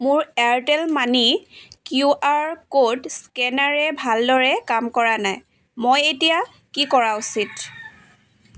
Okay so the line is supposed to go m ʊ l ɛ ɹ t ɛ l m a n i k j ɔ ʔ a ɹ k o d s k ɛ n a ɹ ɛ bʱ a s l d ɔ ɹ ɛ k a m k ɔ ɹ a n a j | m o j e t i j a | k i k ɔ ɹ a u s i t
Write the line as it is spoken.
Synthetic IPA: m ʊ ɹ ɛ ɹ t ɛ l m a n i k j u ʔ a ɹ k o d s k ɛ n a ɹ ɛ bʱ a l d ɔ ɹ ɛ k a m k ɔ ɹ a n a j | m o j e t i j a | k i k ɔ ɹ a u s i t